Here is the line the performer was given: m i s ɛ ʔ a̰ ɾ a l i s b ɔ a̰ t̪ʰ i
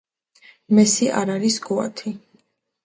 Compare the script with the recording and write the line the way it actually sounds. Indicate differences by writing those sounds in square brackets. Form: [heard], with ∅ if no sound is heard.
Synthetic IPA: m [ɛ] s [i] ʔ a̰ ɾ a [ɾ] i s [ɡ] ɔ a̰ t̪ʰ i